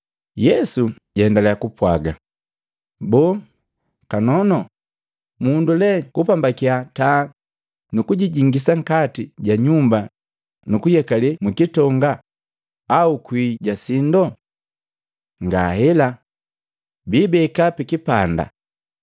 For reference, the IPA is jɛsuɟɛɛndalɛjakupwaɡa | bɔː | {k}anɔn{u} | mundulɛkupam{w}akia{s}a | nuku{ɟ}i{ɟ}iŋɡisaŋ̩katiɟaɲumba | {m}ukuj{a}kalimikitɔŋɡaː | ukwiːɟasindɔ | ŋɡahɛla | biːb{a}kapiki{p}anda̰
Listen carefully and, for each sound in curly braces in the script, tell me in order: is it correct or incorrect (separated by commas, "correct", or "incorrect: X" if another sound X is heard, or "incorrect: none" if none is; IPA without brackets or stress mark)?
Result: correct, incorrect: ɔ, incorrect: b, incorrect: t, correct, correct, incorrect: n, incorrect: ɛ, incorrect: ɛ, correct